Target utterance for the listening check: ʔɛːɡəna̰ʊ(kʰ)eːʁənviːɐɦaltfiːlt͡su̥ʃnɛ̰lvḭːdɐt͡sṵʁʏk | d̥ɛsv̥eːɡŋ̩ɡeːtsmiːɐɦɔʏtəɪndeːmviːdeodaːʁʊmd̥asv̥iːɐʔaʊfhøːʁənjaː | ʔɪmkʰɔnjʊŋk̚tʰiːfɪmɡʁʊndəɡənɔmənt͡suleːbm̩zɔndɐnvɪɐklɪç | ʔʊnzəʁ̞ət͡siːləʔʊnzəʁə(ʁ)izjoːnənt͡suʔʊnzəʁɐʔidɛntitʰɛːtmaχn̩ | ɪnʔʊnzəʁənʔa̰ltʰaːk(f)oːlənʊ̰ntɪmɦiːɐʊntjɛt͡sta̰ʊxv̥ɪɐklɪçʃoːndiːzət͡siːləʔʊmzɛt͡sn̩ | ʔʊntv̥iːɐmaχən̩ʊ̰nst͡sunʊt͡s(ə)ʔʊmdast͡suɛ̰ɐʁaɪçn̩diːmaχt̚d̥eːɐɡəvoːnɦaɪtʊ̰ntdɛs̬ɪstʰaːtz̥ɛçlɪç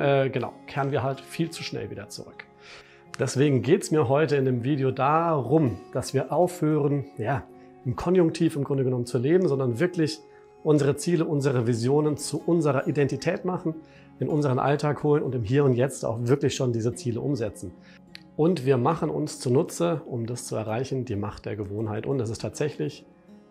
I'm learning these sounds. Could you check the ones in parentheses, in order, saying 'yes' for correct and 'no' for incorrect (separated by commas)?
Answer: yes, no, no, yes